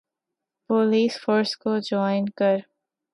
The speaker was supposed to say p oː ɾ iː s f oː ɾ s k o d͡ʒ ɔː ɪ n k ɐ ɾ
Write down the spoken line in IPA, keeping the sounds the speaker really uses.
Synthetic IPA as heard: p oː l iː s f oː ɾ s k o d͡ʒ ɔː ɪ n k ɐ ɾ